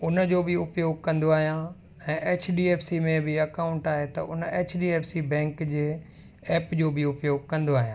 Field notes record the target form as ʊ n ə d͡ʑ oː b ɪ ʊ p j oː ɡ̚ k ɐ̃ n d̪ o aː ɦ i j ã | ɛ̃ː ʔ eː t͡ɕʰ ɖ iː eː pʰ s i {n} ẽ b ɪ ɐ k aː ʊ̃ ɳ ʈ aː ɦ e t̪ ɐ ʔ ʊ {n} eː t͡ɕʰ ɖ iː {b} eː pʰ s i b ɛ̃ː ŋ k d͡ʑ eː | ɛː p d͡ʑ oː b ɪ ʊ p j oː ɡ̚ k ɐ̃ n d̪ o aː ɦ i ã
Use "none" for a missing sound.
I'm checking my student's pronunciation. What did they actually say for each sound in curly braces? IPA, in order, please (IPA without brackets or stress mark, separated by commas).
m, n, none